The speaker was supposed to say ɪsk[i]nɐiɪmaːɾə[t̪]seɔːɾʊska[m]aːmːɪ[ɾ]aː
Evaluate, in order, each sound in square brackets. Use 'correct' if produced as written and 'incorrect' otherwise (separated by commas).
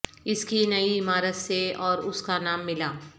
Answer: correct, correct, incorrect, incorrect